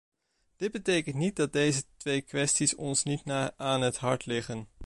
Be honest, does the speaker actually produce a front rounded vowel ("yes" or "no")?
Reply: no